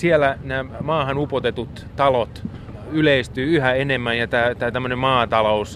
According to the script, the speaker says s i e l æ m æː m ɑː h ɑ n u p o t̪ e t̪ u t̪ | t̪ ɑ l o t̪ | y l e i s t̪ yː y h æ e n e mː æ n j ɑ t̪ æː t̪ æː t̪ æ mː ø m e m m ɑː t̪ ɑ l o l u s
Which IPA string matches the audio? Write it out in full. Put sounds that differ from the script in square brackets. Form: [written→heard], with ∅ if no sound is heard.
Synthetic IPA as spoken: s i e l æ [m→n] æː m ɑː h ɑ n u p o t̪ e t̪ u t̪ | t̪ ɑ l o t̪ | y l e i s t̪ yː y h æ e n e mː æ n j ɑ t̪ æː t̪ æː t̪ æ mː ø [m→n] e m m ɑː t̪ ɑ l o [l→∅] u s